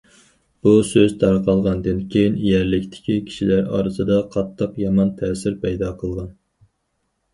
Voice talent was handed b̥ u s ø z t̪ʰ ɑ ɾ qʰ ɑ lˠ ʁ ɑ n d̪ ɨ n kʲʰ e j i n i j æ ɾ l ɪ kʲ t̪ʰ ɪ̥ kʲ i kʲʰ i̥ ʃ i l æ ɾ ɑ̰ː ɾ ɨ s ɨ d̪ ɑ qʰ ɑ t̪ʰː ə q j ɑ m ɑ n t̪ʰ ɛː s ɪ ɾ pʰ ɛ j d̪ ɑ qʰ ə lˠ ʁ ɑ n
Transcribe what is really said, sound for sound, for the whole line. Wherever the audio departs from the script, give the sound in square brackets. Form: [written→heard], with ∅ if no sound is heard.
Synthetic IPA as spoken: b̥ u s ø z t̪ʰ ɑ ɾ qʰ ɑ lˠ ʁ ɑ n d̪ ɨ n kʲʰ e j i n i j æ ɾ l ɪ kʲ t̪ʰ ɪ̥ kʲ i kʲʰ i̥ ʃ i l æ ɾ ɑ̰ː ɾ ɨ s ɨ d̪ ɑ qʰ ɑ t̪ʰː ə q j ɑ m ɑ n t̪ʰ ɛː s ɪ ɾ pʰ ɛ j d̪ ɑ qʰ ə lˠ ʁ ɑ n